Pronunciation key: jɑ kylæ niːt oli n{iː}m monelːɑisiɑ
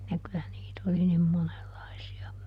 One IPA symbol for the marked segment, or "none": i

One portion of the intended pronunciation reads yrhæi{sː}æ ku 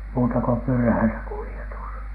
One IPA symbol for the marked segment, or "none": s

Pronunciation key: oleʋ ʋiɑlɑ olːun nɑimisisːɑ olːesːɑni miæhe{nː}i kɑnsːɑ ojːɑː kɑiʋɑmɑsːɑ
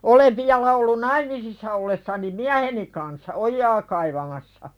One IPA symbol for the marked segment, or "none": n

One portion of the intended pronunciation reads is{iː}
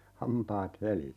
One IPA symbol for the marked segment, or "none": i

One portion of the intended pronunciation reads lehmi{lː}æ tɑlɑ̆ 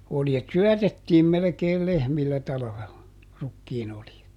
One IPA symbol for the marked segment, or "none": lː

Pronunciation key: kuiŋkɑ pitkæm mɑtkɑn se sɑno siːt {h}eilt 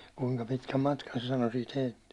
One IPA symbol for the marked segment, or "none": h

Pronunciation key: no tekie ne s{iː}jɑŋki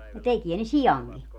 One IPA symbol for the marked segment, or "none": i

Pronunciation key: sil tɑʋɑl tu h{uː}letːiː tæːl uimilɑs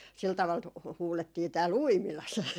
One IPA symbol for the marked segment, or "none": uː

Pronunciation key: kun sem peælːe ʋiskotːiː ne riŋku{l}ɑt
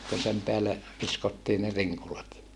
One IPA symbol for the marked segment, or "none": l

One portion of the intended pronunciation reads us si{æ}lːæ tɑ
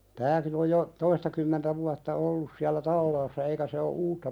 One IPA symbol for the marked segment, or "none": æ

